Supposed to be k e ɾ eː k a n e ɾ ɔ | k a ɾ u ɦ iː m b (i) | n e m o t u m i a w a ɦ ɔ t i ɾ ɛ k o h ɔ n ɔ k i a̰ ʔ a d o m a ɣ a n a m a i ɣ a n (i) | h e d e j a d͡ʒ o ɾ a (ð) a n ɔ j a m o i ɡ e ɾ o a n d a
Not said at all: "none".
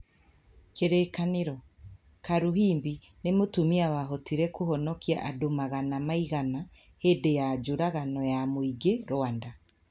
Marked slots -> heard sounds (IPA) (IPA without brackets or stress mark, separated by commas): i, a, ɣ